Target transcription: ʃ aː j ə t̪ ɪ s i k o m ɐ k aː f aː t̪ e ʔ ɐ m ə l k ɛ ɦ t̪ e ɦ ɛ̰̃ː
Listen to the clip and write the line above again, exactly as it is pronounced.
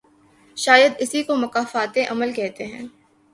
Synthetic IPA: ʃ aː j ə d̪ ɪ s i k o m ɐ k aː f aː t̪ e ʔ ɐ m ə l k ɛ ɦ t̪ e ɦ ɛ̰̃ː